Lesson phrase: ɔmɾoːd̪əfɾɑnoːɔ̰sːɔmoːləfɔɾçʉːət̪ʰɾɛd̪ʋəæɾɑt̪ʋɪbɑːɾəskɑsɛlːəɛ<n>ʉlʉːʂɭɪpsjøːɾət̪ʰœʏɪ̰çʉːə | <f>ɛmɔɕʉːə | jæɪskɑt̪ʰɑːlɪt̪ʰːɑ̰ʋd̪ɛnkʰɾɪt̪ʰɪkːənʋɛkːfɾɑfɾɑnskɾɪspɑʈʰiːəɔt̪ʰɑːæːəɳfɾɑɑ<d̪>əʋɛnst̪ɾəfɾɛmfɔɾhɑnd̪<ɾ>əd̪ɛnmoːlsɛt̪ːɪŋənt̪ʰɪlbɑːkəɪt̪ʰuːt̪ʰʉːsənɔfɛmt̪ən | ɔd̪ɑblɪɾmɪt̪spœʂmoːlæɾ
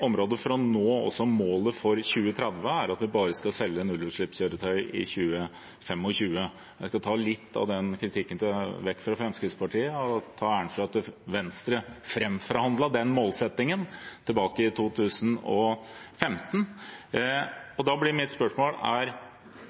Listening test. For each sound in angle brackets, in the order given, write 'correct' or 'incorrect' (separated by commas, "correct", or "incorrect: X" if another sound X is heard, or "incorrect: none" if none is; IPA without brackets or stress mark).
correct, correct, incorrect: t̪, incorrect: l